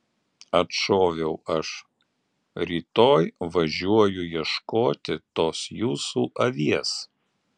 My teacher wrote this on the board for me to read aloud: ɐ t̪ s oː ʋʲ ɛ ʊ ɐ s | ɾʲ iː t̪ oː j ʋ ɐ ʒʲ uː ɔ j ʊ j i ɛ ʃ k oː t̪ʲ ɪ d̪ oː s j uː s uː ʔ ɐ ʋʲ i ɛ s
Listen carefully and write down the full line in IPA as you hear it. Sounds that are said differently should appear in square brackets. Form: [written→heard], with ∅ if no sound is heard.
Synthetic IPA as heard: ɐ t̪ [s→ʃ] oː ʋʲ ɛ ʊ ɐ [s→ʃ] | ɾʲ iː t̪ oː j ʋ ɐ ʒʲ [uː→u] ɔ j ʊ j i ɛ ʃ k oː t̪ʲ ɪ [d̪→t̪] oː s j uː s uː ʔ ɐ ʋʲ i ɛ s